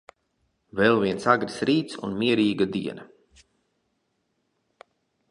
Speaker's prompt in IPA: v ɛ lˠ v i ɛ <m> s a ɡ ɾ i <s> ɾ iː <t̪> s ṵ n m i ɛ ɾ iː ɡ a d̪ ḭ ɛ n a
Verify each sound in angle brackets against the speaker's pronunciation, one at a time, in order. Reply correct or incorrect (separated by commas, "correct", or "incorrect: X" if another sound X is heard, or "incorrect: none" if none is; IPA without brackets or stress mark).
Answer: incorrect: n, correct, correct